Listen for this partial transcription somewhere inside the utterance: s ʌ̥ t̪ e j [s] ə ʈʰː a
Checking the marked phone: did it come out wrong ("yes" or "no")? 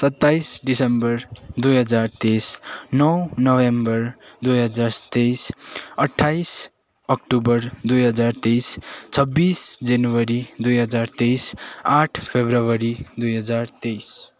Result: no